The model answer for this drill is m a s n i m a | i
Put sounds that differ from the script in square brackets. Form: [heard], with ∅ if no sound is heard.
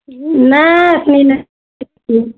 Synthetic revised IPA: [n] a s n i [n] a | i

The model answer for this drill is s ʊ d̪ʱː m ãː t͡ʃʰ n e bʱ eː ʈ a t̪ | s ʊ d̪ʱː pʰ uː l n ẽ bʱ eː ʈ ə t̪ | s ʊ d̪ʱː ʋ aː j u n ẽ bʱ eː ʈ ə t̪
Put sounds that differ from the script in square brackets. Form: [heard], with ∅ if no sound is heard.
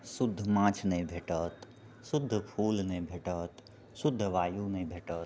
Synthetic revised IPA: s ʊ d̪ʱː m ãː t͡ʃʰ n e bʱ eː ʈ [ə] t̪ | s ʊ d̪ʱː pʰ uː l n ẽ bʱ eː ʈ ə t̪ | s ʊ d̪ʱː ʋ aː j u n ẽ bʱ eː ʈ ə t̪

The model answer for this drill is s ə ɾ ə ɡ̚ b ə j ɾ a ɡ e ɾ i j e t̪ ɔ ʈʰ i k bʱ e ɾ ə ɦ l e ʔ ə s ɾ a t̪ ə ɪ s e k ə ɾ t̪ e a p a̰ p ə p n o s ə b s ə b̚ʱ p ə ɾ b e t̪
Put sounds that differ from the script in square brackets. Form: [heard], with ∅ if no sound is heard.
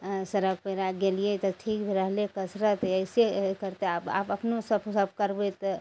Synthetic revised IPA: s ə ɾ ə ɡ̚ [p] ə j ɾ a ɡ e [l] i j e t̪ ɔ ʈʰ i k bʱ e ɾ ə ɦ l e [k] ə s ɾ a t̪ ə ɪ s e k ə ɾ t̪ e a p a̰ p ə p n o s ə b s ə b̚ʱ [k] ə ɾ b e t̪

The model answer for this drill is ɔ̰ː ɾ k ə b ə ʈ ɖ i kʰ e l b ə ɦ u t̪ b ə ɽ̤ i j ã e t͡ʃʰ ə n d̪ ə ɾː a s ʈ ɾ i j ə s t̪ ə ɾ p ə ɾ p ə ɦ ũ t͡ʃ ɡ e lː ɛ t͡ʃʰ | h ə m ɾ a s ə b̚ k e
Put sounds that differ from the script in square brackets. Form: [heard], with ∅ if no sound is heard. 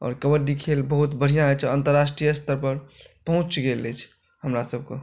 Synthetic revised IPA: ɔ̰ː ɾ k ə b ə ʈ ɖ i kʰ e l b ə ɦ u t̪ b ə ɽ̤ i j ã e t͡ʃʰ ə n [t̪] ə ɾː a s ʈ ɾ i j ə s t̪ ə ɾ p ə ɾ p ə ɦ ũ t͡ʃ ɡ e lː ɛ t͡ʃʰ | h ə m ɾ a s ə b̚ k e

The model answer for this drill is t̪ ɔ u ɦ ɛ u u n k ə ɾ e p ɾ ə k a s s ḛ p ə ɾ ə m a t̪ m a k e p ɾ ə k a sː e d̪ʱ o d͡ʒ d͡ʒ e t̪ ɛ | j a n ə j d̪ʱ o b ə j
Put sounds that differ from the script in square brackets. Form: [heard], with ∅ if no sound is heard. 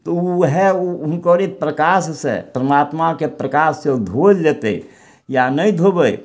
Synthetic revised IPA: t̪ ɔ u ɦ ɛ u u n k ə ɾ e p ɾ ə k a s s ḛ p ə ɾ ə m a t̪ m a k e p ɾ ə k a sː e d̪ʱ o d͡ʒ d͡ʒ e t̪ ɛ | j a n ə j d̪ʱ o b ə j

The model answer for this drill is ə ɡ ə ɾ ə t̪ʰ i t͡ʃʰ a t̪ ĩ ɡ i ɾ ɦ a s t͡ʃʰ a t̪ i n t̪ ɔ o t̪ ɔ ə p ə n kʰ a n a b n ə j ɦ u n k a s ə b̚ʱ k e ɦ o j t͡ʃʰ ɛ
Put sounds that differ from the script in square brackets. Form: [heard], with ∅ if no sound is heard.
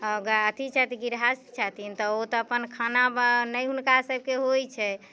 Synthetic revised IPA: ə ɡ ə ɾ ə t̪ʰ i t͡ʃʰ a t̪ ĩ ɡ i ɾ ɦ a s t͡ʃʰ a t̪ i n t̪ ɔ o t̪ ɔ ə p ə n kʰ a n a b n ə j ɦ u n k a s ə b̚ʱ k e ɦ o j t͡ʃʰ ɛ

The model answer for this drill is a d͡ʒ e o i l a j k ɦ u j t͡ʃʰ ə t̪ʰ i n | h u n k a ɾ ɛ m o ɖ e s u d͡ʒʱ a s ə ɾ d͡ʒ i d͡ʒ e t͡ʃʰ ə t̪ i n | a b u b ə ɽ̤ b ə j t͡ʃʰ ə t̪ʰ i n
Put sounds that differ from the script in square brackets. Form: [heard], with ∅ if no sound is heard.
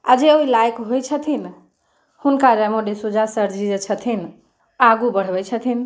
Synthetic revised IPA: a d͡ʒ e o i l a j k ɦ [o] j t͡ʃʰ ə t̪ʰ i n | h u n k a ɾ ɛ m o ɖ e s u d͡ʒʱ a s ə ɾ d͡ʒ i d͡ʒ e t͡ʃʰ ə [t̪ʰ] i n | a [ɡ] u b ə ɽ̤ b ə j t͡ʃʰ ə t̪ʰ i n

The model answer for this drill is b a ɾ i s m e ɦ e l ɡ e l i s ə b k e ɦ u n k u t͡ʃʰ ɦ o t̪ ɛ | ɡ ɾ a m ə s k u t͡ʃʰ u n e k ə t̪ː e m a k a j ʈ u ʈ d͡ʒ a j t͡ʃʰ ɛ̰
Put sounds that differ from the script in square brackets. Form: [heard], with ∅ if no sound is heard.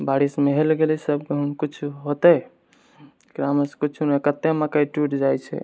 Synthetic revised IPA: b a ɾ i s m e ɦ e l ɡ e l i s ə b k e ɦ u n k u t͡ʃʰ ɦ o t̪ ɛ | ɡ ɾ a m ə s k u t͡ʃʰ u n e k ə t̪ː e m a k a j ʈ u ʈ d͡ʒ a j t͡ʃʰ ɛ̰

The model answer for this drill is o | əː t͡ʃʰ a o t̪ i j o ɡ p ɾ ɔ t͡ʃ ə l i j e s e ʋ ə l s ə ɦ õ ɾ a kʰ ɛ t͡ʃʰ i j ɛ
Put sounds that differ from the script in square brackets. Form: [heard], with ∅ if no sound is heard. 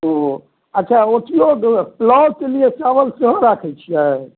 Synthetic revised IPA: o | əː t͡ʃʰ a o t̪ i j o ɡ p [l] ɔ t͡ʃ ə l i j e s [a] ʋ ə l s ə ɦ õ ɾ a kʰ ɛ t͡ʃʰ i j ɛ

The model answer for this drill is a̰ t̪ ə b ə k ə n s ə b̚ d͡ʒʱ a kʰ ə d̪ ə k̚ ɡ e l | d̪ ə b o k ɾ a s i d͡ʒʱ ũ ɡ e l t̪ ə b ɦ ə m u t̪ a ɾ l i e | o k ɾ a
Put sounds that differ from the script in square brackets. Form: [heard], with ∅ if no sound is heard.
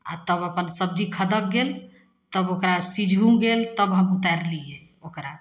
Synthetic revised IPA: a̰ t̪ ə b ə [p] ə n s ə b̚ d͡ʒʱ [i] kʰ ə d̪ ə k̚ ɡ e l | [t̪] ə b o k ɾ a s i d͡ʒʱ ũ ɡ e l t̪ ə b ɦ ə m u t̪ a ɾ l i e | o k ɾ a

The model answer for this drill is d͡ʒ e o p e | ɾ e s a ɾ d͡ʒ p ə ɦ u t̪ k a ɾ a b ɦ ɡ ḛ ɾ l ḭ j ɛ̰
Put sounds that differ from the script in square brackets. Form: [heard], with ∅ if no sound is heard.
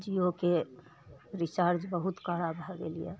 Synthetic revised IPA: d͡ʒ [i] o [k] e | ɾ [i] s a ɾ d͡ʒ [b] ə ɦ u t̪ k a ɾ a b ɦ ɡ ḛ [∅] l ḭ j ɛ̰

